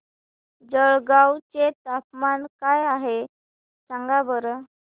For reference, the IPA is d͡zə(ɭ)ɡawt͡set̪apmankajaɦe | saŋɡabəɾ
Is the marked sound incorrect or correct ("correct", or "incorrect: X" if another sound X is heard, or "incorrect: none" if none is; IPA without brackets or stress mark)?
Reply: correct